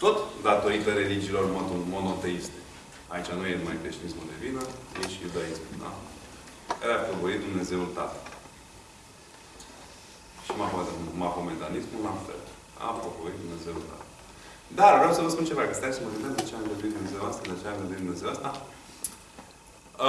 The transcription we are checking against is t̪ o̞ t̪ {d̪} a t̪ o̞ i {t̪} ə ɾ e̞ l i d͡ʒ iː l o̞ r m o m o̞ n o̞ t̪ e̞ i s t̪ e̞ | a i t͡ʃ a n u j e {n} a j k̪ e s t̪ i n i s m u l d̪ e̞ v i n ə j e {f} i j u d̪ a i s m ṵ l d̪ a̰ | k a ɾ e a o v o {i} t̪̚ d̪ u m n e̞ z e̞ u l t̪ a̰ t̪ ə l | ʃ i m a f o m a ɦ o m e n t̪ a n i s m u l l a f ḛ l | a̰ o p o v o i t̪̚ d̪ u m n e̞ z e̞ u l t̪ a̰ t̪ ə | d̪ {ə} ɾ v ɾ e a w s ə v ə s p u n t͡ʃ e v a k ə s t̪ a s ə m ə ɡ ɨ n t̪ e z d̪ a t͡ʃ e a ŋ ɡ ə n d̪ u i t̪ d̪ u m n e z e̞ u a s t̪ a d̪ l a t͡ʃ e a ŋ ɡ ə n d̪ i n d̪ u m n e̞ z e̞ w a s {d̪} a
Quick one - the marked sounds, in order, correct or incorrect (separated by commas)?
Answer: correct, correct, incorrect, incorrect, correct, incorrect, incorrect